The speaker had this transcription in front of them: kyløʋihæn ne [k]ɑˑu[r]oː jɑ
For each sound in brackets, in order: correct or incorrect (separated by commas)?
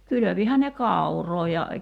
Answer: correct, correct